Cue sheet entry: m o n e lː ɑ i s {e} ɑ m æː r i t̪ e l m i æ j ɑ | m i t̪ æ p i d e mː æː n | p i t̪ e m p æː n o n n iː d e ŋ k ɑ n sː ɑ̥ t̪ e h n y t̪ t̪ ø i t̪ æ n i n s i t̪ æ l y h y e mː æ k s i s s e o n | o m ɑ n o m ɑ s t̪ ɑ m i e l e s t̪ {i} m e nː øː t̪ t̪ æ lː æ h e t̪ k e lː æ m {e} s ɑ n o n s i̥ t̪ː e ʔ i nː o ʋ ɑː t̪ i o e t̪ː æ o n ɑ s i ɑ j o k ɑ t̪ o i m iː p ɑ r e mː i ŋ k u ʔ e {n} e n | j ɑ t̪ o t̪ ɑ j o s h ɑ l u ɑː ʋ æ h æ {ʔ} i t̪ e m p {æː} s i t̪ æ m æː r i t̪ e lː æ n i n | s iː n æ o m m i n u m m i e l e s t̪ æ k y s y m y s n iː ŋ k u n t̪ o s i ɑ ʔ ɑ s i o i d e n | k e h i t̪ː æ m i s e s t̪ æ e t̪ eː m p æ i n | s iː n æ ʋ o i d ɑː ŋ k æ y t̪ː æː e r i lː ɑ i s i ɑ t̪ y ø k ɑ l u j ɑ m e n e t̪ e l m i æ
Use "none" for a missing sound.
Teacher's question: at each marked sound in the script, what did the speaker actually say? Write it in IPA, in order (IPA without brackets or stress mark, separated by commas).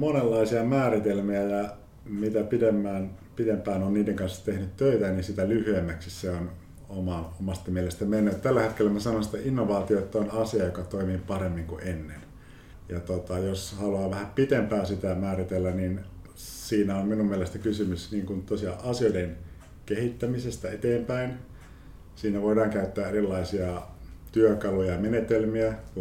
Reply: i, æ, æ, nː, p, æː